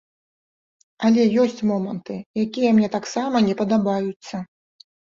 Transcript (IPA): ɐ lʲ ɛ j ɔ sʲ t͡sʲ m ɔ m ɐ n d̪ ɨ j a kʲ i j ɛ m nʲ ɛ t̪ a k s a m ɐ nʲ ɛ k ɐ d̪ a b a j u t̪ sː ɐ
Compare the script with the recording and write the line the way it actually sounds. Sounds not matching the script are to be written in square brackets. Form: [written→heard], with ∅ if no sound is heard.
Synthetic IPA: ɐ lʲ ɛ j ɔ sʲ t͡sʲ m ɔ m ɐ n [d̪→t̪] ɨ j a kʲ i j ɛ m nʲ ɛ t̪ a k s a m ɐ nʲ ɛ [k→p] ɐ d̪ a b a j u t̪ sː ɐ